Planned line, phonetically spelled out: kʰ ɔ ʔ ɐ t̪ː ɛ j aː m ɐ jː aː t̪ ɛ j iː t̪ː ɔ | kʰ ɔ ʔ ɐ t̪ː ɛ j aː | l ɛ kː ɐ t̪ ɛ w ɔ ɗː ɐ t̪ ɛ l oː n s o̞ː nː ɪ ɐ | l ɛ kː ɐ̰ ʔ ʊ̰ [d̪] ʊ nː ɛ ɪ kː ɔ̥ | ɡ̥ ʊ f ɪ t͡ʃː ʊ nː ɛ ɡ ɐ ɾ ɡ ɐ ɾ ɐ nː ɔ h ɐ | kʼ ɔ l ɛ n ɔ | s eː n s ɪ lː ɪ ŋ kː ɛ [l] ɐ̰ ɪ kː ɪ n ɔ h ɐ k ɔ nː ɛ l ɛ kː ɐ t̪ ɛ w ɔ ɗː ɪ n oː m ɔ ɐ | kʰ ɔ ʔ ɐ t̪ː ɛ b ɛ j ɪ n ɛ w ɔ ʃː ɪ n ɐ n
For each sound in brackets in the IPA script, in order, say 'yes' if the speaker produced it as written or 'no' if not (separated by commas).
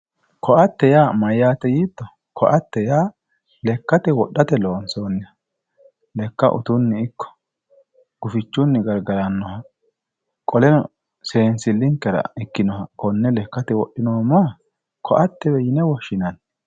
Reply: no, no